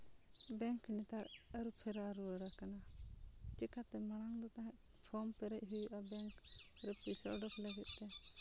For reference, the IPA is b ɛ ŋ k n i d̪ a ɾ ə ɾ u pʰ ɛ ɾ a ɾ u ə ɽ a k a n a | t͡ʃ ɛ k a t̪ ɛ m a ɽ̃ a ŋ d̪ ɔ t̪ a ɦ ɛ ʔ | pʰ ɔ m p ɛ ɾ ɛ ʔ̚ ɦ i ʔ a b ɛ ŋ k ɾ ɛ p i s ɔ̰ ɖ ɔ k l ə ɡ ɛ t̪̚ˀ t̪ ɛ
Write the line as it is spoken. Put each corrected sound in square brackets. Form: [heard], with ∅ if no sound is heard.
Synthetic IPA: b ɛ ŋ k n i [t̪] a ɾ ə ɾ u pʰ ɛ ɾ a ɾ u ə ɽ a k a n a | t͡ʃ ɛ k a t̪ ɛ m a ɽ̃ a ŋ d̪ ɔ t̪ a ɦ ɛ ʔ | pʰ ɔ m p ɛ ɾ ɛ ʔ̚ ɦ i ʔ a b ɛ ŋ k ɾ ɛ p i s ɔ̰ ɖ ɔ k l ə ɡ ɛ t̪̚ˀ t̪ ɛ